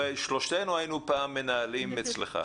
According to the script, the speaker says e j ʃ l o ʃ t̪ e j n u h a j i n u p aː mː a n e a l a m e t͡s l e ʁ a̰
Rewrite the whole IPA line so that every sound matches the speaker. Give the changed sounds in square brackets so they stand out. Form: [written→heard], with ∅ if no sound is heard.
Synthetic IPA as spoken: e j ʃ l o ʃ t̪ e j n u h a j i n u p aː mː [a→e] n [e→a] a l [a→i] m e t͡s l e [ʁ→χ] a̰